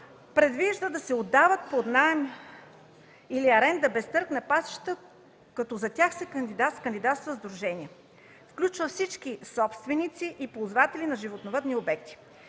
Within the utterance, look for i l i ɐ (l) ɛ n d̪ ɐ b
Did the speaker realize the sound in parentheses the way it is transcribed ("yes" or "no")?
no